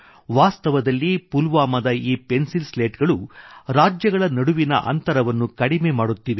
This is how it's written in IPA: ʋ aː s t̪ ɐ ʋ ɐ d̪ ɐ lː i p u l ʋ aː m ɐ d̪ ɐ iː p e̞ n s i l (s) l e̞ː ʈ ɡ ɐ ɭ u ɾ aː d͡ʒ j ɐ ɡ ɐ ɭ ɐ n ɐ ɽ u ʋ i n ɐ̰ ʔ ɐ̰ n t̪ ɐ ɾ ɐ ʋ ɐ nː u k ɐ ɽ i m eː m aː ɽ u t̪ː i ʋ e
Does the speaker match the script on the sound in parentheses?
yes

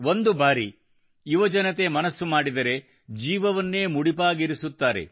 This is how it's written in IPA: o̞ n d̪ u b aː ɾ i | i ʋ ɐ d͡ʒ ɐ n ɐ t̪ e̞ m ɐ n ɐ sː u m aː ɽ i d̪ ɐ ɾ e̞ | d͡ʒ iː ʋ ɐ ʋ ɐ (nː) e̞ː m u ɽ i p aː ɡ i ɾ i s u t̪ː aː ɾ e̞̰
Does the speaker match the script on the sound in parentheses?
yes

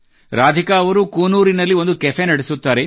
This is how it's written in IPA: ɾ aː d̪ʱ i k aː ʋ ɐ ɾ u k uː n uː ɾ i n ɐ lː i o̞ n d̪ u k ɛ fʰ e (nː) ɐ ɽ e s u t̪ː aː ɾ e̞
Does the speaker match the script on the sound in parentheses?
no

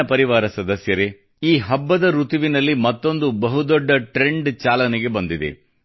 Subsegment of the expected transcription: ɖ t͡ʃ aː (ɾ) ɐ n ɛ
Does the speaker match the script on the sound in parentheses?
no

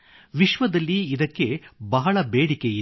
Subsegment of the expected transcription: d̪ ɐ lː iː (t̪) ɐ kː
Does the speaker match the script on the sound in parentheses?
no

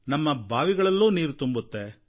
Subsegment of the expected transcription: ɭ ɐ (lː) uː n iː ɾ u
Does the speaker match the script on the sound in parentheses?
yes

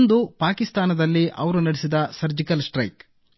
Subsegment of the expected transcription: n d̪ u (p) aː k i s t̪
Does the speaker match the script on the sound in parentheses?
yes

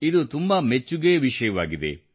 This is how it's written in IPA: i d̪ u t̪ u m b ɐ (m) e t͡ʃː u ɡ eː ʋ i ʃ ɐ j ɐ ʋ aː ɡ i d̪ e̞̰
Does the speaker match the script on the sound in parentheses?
yes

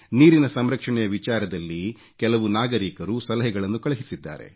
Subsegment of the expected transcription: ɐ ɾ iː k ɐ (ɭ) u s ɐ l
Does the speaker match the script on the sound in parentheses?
no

